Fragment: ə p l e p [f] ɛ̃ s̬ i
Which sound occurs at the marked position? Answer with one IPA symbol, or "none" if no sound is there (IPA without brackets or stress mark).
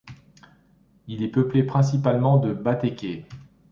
χ